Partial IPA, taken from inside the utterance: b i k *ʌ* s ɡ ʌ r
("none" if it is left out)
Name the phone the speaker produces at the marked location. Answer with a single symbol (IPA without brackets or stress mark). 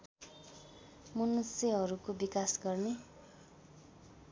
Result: a